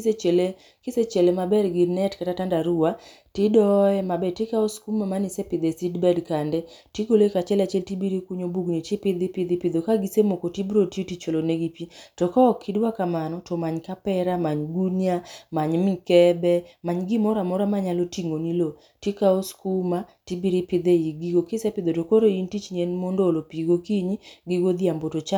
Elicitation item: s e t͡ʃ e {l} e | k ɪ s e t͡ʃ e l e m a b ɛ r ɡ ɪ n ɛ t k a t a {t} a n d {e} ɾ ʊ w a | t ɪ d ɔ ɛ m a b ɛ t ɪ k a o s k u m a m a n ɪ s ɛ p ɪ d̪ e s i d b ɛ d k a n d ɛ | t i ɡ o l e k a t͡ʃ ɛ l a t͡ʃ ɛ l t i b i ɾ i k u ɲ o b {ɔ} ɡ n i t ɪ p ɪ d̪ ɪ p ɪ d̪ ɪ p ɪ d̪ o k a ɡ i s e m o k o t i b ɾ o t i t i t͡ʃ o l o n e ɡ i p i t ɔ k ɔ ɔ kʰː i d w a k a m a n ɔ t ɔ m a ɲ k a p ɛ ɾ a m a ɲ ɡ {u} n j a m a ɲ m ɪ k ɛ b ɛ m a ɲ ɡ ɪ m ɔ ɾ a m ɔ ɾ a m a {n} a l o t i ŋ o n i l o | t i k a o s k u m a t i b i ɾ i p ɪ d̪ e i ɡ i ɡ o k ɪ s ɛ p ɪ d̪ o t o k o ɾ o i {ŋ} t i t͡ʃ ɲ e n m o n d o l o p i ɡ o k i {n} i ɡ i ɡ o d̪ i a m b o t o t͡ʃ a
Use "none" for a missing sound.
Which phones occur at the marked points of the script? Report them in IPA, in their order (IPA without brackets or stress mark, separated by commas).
l, t, a, u, u, ɲ, n, ɲ